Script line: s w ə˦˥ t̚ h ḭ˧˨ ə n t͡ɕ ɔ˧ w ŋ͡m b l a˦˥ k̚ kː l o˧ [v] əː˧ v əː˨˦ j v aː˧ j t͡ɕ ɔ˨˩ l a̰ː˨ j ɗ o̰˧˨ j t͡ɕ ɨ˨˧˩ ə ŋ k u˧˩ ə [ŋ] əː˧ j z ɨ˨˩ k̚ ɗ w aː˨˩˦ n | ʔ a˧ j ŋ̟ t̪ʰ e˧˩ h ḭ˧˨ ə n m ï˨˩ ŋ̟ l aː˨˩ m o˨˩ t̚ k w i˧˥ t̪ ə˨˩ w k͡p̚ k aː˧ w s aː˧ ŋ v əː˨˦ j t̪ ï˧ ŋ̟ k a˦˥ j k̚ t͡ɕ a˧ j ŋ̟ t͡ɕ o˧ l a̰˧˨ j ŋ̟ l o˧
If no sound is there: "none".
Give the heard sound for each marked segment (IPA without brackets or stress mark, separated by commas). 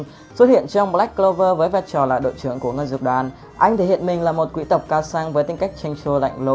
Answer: v, ŋ